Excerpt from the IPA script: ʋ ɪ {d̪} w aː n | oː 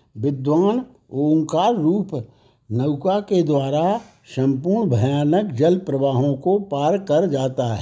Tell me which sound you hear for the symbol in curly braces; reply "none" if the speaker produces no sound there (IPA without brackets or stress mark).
d̪